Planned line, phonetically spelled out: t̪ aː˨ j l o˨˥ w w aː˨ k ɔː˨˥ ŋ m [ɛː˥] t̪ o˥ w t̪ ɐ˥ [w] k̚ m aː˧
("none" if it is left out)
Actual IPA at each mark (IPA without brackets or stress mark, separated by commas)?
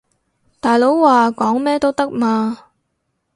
ɛː˥, none